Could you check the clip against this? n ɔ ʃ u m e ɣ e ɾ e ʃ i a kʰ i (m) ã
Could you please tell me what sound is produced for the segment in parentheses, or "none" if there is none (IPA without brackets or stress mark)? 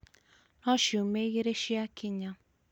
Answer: ɲ